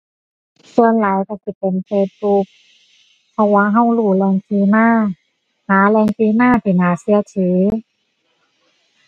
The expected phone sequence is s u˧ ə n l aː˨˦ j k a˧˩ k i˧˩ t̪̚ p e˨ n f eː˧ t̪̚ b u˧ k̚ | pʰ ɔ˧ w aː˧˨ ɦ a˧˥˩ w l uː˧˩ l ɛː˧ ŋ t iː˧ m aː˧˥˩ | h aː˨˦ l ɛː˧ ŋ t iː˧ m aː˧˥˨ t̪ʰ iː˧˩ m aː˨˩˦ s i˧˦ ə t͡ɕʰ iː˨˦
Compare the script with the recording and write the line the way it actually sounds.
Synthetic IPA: s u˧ ə n l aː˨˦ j k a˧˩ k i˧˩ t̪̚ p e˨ n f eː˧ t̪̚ b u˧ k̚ | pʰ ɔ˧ w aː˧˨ ɦ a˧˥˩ w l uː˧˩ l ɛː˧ ŋ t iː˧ m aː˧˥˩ | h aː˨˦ l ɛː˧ ŋ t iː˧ m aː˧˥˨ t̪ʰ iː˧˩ n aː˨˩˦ s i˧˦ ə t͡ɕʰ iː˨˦

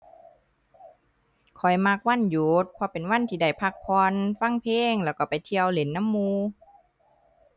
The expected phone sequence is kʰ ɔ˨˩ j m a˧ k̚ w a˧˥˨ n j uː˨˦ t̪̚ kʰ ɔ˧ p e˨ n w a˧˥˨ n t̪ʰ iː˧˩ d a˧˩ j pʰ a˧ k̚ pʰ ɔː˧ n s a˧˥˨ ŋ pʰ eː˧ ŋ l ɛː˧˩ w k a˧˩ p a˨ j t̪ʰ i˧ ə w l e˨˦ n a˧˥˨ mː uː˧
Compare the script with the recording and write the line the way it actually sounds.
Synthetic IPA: kʰ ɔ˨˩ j m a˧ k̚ w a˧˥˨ n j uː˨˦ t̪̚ pʰ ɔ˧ p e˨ n w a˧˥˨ n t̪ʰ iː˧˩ d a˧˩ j pʰ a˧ k̚ pʰ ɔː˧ n f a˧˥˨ ŋ pʰ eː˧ ŋ l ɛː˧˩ w k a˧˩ p a˨ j t̪ʰ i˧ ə w l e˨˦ nː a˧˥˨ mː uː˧

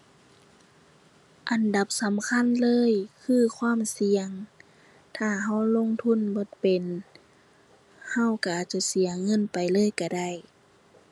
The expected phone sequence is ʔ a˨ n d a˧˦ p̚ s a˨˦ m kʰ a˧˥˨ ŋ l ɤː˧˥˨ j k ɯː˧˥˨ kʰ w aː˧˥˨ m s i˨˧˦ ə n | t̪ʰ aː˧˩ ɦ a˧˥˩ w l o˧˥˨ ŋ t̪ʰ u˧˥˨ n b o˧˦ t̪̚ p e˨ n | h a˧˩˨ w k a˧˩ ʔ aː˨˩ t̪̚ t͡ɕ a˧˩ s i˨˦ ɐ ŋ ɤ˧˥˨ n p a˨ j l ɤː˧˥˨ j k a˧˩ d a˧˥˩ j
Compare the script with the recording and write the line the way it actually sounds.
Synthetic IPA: ʔ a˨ n d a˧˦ p̚ s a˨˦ m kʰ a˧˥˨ n l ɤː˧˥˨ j kʰ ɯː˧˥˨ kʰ w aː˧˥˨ m s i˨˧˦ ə ŋ | t̪ʰ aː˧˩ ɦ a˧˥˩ w l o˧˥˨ ŋ t̪ʰ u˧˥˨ n b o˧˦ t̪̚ p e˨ n | h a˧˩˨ w k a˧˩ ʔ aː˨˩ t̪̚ t͡ɕ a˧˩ s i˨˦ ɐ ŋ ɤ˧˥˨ n p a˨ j l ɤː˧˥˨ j k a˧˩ d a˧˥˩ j

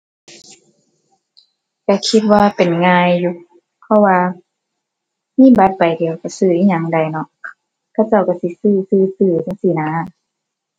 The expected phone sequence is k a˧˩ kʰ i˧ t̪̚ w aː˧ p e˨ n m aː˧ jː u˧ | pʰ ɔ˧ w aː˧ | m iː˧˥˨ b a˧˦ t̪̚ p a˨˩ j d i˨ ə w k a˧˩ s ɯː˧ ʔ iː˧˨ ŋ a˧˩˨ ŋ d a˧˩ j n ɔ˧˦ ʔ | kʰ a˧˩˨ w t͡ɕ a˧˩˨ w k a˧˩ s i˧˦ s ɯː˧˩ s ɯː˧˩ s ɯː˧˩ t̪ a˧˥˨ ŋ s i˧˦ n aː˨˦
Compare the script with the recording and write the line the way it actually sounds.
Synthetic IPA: k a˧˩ kʰ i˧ t̪̚ w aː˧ p e˨ n ŋ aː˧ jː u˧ | pʰ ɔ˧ w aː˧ | m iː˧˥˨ b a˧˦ t̪̚ p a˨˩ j d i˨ ə w k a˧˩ s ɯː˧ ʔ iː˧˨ ɲ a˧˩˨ ŋ d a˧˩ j n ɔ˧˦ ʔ | kʰ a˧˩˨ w t͡ɕ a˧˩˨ w k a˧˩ s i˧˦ s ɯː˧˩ s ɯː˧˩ s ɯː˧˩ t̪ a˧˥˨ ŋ s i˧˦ n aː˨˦

